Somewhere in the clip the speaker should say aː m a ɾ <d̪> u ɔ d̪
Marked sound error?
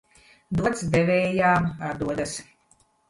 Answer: no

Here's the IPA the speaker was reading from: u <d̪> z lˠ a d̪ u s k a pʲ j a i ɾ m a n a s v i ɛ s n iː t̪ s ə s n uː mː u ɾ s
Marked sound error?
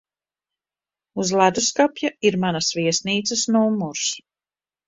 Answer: yes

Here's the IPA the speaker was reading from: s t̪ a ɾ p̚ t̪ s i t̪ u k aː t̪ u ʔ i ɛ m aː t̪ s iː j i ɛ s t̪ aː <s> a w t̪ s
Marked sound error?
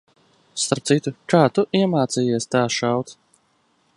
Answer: yes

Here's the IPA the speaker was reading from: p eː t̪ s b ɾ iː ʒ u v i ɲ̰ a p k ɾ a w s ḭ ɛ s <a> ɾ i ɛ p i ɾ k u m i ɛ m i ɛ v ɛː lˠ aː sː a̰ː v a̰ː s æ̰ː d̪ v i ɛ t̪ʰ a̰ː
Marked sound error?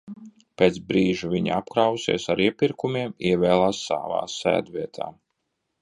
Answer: no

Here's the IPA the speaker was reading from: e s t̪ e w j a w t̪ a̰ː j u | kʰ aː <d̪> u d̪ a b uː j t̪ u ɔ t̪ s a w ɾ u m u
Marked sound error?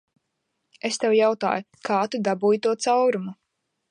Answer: yes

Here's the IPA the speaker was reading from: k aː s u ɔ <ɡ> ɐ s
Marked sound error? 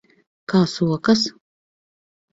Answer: yes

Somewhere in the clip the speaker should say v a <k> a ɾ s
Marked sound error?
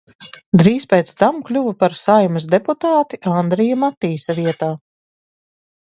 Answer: yes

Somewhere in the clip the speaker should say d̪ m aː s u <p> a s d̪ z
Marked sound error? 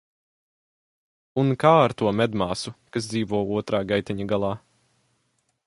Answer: yes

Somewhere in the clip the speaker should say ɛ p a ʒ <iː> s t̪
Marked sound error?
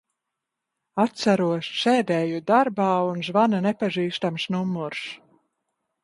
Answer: no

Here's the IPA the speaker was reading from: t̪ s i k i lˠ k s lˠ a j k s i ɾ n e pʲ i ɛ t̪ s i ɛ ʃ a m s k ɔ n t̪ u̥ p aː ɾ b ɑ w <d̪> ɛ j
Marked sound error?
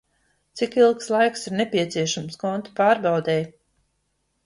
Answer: no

